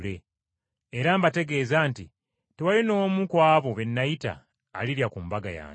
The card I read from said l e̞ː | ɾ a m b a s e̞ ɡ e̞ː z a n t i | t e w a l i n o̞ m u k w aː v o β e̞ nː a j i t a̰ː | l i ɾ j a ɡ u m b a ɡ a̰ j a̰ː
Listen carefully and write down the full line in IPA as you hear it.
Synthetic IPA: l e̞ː | ɾ a m b a t e̞ ɡ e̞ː z a n t i | t e w a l i n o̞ m u k w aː β o β e̞ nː a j i t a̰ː | l i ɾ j a k u m b a ɡ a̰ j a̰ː